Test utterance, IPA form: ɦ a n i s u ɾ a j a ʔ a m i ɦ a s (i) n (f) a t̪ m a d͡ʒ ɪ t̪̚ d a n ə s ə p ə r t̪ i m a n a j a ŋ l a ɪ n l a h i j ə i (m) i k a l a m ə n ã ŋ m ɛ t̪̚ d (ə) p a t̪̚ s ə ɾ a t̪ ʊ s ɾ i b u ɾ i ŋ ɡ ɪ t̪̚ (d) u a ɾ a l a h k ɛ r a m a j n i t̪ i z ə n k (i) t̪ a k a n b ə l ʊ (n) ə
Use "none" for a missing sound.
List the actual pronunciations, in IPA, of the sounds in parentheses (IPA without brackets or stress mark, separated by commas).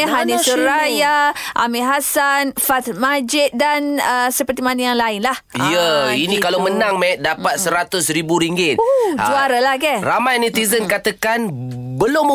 a, f, n, a, d͡ʒ, a, m